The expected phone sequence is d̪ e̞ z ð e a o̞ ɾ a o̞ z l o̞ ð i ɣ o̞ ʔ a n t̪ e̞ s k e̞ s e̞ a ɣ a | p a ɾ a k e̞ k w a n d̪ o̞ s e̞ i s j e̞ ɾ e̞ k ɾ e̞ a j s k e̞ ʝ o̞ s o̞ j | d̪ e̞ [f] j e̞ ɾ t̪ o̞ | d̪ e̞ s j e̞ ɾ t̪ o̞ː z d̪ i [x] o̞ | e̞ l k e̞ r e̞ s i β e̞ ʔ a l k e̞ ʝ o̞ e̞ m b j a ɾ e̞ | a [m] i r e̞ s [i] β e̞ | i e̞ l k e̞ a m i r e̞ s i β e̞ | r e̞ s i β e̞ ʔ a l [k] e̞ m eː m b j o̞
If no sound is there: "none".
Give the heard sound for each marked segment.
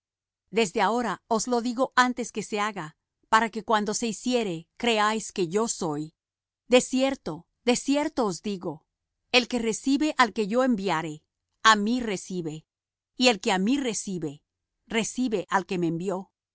s, ɣ, m, i, k

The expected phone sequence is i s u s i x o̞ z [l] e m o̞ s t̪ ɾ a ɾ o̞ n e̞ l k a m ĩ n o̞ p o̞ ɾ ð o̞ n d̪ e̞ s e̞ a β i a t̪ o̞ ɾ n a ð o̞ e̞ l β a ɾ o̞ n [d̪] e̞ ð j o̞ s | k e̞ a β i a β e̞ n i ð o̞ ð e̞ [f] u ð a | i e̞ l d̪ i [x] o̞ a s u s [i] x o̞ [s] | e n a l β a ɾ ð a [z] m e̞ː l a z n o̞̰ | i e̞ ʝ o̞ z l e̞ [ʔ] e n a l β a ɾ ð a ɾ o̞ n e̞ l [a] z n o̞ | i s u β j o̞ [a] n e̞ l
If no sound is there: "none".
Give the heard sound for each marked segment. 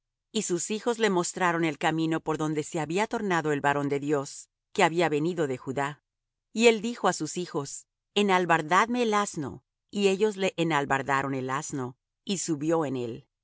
l, d̪, x, x, i, s, ð, ʔ, a, e

